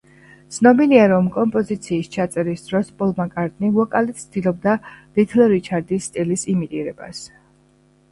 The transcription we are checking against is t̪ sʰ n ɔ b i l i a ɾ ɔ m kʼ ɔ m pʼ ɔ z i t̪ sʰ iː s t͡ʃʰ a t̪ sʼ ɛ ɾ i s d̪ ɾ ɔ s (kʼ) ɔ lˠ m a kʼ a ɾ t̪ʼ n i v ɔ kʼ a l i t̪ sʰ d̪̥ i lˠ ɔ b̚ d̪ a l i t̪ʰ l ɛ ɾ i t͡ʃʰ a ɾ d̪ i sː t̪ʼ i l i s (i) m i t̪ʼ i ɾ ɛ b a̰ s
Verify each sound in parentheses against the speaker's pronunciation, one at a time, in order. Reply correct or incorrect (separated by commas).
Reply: incorrect, correct